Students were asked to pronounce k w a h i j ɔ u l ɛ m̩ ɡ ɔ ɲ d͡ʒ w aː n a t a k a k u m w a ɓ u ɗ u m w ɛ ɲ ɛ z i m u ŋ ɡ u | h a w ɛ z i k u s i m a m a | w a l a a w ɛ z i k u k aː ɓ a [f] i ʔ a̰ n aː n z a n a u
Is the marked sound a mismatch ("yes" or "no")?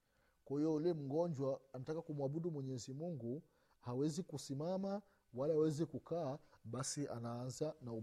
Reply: yes